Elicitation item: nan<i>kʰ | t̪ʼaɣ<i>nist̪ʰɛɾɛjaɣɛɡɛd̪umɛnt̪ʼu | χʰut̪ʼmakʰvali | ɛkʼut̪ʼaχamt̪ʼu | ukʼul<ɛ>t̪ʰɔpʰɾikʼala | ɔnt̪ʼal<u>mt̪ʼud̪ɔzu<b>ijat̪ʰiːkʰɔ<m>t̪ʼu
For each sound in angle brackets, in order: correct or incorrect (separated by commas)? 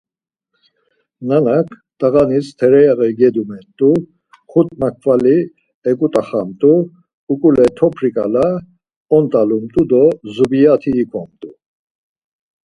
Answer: incorrect, incorrect, correct, correct, correct, correct